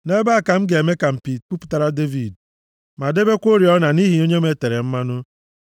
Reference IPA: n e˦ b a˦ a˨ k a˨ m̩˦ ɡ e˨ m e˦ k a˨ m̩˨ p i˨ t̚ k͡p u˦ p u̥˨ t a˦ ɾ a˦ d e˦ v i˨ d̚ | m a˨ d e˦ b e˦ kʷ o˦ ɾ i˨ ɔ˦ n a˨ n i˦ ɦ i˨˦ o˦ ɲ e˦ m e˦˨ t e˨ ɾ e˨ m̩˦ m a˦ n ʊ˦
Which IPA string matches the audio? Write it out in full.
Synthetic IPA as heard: n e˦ b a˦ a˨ k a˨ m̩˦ ɡ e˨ m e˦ k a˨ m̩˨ p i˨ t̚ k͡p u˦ p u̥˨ t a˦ ɾ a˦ d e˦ v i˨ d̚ | m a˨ d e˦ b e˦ kʷ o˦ ɾ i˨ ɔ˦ n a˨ n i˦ ɦ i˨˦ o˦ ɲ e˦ m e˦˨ t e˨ ɾ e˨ m̩˦ m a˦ n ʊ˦